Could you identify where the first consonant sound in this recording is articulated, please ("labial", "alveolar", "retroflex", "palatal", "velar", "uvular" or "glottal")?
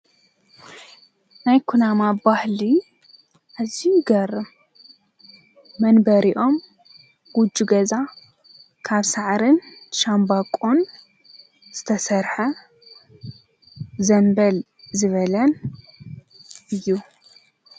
alveolar